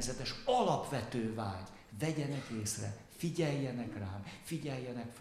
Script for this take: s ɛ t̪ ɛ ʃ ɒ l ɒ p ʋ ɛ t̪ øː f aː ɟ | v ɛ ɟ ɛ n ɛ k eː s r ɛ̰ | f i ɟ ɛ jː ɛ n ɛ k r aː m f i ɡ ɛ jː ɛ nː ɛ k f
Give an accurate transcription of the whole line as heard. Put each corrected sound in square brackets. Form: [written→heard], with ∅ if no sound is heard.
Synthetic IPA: [s→z] ɛ t̪ ɛ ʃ ɒ l ɒ p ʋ ɛ t̪ øː [f→v] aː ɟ | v ɛ ɟ ɛ n ɛ k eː s r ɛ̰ | f i ɟ ɛ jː ɛ n ɛ k r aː m f i [ɡ→ɟ] ɛ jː ɛ [nː→n] ɛ k f